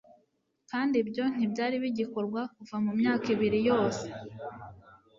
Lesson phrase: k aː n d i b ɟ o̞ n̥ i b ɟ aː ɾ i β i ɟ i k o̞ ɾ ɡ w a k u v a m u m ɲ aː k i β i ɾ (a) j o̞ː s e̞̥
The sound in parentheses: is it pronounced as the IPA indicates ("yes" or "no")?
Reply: no